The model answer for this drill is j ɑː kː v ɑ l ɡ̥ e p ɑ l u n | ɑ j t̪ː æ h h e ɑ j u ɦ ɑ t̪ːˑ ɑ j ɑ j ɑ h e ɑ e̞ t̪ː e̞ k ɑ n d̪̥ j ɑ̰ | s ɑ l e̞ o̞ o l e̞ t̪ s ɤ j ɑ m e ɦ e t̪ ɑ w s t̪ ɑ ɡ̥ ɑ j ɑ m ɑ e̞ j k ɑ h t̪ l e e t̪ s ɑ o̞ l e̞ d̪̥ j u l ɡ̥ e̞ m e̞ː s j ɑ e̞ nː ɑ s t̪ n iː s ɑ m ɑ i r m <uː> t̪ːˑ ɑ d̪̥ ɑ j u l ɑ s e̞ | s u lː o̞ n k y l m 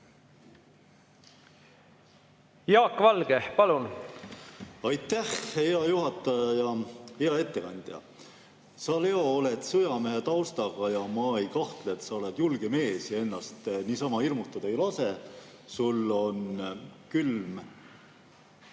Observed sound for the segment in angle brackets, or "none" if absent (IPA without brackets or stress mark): u